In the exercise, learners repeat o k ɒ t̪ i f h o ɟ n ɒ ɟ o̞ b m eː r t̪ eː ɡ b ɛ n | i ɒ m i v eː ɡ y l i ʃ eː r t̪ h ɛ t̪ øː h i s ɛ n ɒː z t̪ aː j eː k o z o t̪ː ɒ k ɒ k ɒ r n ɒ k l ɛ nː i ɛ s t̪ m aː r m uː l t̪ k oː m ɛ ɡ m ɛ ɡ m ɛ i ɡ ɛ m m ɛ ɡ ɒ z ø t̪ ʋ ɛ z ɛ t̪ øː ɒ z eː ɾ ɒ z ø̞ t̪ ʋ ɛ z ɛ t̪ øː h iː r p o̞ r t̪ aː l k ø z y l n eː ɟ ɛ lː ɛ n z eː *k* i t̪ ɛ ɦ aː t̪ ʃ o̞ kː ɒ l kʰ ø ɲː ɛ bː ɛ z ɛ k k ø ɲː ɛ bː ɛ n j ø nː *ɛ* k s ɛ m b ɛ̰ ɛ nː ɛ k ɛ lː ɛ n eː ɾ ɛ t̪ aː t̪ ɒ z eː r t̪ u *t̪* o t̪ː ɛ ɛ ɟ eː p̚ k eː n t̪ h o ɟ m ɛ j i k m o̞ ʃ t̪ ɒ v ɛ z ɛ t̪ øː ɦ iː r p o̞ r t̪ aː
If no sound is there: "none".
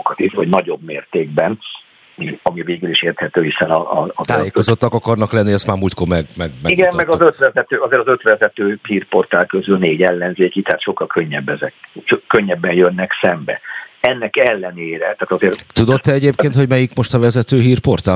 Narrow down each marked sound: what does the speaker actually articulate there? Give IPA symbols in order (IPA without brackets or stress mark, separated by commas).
k, ɛ, d̪